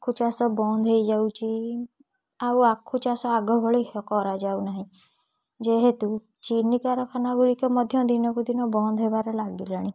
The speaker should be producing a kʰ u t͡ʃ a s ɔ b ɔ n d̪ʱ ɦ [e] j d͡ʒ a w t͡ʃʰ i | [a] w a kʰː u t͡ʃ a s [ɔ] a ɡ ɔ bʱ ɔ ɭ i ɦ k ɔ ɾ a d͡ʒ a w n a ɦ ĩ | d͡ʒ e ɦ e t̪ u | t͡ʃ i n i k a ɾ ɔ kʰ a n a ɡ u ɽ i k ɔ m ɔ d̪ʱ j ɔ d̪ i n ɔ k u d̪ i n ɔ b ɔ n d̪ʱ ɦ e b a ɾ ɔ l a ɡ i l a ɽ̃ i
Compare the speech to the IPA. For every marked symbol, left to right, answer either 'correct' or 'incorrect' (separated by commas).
correct, correct, correct